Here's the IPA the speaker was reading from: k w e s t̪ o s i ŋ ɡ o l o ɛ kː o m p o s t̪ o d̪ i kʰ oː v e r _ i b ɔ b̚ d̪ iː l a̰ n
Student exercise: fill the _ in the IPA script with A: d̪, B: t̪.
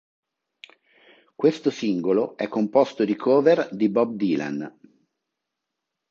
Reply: A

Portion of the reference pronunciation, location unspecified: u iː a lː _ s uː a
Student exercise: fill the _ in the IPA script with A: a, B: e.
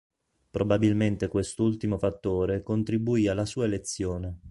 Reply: A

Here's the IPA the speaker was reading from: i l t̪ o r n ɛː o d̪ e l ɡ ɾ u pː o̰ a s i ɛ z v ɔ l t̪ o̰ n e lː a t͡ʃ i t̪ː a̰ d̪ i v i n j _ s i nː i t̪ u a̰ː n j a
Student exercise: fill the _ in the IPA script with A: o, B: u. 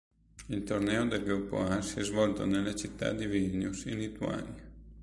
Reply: B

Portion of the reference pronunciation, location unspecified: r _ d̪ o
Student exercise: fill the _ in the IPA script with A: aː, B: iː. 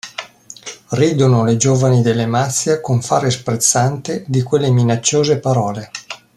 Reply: B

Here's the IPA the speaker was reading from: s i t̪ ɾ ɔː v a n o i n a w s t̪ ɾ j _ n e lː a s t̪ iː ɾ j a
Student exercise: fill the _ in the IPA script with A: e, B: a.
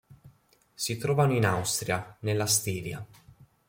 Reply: B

